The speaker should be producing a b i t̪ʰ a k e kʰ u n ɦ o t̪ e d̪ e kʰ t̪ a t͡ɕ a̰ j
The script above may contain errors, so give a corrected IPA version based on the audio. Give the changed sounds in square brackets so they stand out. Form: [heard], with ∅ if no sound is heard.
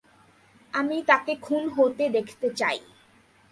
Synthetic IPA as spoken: a [m] i [t̪] a k e kʰ u n ɦ o t̪ e d̪ e kʰ t̪ [e] t͡ɕ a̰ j